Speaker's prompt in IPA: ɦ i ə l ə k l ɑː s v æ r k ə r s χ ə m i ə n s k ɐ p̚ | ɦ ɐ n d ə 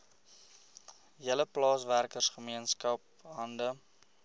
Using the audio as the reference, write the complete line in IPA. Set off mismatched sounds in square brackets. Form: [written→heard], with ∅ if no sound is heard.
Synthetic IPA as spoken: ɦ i ə l ə [k→p] l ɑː s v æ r k ə r s χ ə m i ə n s k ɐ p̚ | ɦ ɐ n d ə